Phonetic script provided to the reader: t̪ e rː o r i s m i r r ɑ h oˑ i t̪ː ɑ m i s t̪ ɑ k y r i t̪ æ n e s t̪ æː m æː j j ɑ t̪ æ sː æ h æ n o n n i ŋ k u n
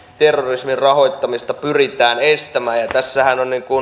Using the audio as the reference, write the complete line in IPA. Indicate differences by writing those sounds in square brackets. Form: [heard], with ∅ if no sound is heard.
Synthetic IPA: t̪ e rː o r i s m i r r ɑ h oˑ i t̪ː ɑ m i s t̪ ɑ [p] y r i t̪ [æː] n e s t̪ [æ] m æː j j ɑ t̪ æ sː æ h æ n o n n i ŋ k u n